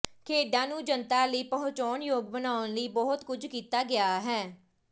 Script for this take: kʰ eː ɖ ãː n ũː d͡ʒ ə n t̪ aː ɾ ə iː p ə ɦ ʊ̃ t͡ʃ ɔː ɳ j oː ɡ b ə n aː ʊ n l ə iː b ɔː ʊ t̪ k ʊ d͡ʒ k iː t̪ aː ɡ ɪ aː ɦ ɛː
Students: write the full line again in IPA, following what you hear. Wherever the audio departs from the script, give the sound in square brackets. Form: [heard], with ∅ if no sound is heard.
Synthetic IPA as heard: kʰ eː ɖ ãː n ũː d͡ʒ ə n t̪ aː [l] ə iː p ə ɦ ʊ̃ t͡ʃ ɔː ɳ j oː ɡ b ə n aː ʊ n l ə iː b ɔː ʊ t̪ k ʊ d͡ʒ k iː t̪ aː ɡ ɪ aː ɦ ɛː